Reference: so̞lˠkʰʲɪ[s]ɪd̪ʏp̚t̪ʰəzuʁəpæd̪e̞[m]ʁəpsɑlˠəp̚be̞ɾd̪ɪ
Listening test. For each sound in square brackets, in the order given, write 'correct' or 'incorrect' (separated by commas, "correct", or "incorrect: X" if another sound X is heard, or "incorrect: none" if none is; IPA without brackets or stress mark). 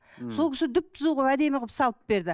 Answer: correct, correct